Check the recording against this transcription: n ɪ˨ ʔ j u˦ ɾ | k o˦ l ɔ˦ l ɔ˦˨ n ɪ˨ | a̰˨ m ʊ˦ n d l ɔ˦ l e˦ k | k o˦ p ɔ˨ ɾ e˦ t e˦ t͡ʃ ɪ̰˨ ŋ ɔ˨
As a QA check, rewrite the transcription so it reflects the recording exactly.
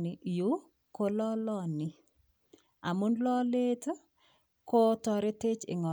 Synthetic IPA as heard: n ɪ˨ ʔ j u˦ | k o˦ l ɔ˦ l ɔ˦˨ n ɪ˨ | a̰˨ m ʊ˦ n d l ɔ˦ l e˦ t | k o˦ t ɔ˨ ɾ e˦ t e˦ t͡ʃ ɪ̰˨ ŋ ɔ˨